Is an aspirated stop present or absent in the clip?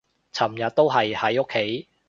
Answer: present